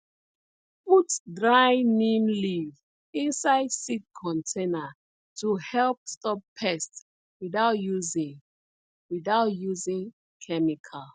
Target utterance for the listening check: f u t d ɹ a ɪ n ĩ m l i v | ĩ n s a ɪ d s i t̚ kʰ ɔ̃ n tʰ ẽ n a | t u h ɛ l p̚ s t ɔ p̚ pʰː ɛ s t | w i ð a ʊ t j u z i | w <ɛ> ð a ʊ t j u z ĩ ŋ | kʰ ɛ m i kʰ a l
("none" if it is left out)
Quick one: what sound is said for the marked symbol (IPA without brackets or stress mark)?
i